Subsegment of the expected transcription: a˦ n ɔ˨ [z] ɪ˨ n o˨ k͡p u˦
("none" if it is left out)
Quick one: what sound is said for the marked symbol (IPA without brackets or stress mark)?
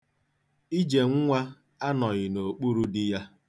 ɣ